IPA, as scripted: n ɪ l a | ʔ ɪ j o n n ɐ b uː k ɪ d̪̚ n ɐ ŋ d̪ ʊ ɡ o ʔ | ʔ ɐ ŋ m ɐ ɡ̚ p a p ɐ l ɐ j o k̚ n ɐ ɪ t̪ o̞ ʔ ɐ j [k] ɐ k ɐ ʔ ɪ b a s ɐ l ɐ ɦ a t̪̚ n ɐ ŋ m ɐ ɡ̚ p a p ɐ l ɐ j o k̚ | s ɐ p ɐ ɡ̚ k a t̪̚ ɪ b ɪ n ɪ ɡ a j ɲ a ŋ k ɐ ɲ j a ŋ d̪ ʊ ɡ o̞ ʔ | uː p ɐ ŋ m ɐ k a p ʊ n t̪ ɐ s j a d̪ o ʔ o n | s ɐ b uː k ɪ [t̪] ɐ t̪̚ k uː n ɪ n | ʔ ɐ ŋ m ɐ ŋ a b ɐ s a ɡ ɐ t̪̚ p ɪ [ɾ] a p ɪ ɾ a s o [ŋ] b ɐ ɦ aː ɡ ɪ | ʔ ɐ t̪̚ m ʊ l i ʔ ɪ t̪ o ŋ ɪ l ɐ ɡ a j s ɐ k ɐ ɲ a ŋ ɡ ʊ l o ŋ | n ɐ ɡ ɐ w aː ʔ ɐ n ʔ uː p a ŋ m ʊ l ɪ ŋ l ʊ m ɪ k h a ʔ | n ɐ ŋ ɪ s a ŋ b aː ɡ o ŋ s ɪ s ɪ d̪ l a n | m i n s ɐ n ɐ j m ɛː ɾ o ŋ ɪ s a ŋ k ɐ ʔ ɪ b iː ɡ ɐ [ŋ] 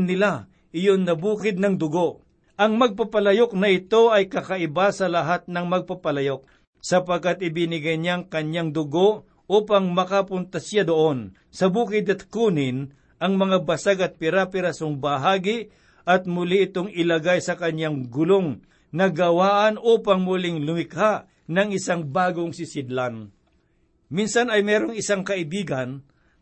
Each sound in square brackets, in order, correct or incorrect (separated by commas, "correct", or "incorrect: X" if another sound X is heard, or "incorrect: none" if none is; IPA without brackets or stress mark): correct, incorrect: d̪, correct, correct, incorrect: n